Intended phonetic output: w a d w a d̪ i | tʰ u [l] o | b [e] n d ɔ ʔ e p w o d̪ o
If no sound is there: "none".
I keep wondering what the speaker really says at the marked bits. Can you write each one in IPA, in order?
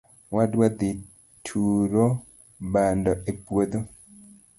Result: ɾ, a

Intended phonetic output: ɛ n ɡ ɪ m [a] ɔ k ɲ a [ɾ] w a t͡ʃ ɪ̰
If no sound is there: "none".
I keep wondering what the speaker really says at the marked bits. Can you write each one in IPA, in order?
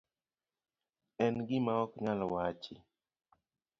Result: a, l

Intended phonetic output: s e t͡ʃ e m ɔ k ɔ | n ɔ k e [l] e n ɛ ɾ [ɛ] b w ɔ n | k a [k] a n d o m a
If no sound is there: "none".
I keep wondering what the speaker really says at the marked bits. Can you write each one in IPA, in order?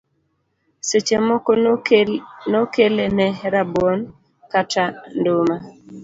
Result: l, a, t

